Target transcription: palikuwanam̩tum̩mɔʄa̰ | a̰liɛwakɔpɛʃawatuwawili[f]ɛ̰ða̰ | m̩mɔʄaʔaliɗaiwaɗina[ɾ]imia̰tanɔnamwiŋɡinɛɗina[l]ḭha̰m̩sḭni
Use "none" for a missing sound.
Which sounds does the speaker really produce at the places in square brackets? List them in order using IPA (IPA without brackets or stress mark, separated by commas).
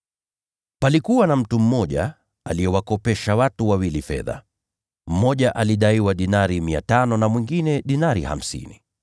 f, ɾ, ɾ